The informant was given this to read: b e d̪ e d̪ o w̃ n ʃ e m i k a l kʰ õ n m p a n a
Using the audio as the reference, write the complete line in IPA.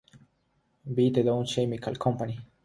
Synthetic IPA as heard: b i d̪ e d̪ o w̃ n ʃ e m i k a l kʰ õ m p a n i